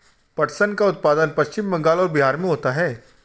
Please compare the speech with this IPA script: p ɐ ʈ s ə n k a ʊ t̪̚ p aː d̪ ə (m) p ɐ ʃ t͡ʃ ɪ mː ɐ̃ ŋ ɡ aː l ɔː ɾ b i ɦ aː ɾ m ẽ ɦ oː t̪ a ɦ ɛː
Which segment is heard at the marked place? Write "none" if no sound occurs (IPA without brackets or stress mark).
n